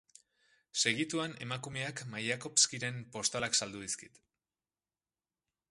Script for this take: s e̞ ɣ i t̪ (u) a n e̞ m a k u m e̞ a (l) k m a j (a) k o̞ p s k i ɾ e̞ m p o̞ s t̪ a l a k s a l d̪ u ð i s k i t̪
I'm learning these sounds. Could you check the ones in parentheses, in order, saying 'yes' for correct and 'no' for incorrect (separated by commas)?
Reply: yes, no, yes